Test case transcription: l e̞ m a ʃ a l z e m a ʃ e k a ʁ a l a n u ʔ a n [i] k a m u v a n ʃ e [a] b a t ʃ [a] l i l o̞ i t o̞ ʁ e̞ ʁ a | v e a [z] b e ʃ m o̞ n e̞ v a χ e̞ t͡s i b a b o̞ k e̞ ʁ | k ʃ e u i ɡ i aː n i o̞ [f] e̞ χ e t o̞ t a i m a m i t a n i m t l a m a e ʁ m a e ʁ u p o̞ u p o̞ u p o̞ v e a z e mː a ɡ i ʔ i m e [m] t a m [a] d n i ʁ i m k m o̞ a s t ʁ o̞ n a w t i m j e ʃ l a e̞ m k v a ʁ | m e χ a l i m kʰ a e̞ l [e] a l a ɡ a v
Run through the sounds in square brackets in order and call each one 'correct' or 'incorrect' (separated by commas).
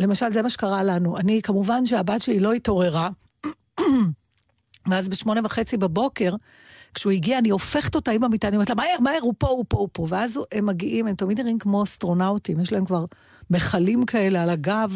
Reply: correct, correct, incorrect, correct, correct, correct, incorrect, correct